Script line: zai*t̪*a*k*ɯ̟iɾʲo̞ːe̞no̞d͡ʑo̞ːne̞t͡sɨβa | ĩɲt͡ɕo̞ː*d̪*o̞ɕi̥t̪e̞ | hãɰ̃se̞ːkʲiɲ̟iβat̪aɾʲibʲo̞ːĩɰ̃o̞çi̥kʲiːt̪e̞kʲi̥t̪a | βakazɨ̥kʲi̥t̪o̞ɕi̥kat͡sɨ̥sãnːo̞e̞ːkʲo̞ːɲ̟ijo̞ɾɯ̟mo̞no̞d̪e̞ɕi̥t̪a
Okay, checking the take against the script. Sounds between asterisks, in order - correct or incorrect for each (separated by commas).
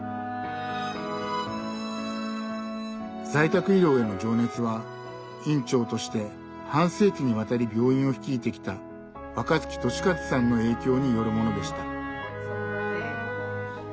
correct, correct, incorrect